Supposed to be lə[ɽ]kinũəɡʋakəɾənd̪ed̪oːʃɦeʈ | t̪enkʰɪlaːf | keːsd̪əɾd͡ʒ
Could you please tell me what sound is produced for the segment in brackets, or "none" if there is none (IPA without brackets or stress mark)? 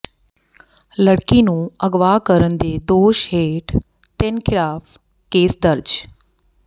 ɽ